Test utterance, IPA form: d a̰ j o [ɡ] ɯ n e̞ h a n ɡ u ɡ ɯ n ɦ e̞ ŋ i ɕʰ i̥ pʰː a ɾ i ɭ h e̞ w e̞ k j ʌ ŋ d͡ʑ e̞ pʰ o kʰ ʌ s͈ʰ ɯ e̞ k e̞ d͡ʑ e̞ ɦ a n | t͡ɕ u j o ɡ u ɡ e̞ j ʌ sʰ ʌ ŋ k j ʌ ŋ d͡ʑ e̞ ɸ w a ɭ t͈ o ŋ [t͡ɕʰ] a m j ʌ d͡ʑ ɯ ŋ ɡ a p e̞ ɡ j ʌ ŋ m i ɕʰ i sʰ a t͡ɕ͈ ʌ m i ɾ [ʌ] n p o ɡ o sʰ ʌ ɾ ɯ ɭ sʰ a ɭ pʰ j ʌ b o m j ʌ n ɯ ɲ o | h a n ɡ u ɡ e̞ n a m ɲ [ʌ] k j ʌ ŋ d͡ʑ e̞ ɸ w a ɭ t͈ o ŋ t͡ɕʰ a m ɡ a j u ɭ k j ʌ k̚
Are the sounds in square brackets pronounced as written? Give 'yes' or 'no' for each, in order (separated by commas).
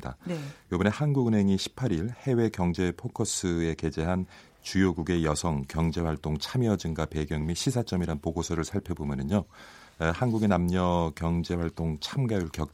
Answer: no, yes, no, yes